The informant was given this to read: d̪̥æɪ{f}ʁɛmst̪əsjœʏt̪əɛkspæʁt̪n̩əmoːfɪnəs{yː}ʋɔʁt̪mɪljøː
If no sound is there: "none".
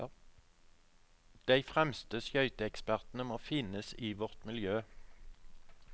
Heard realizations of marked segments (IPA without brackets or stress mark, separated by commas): f, iː